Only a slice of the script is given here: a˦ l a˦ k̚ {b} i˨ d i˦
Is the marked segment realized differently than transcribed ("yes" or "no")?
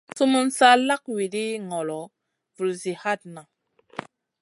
yes